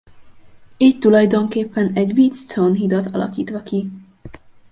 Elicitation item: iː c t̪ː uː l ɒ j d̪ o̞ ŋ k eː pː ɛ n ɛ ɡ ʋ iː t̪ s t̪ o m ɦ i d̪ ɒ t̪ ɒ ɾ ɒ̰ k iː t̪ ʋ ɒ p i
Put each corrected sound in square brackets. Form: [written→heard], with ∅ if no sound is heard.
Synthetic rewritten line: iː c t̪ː [uː→u] l ɒ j d̪ o̞ ŋ k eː pː ɛ n ɛ [ɡ→ɟ] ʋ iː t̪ s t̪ o [m→n] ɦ i d̪ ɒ t̪ ɒ [ɾ→l] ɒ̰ k iː t̪ ʋ ɒ [p→k] i